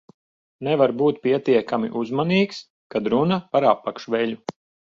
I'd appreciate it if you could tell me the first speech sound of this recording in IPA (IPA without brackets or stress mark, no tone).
n